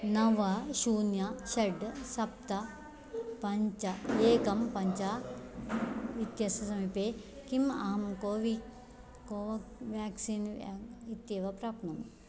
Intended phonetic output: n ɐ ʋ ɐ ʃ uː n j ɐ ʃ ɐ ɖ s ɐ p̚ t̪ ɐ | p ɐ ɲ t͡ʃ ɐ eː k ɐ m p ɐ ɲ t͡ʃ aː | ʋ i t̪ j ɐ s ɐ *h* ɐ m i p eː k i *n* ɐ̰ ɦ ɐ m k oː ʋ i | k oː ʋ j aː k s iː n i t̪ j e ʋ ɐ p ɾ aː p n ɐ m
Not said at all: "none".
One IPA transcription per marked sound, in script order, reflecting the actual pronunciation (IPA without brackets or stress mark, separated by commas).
s, m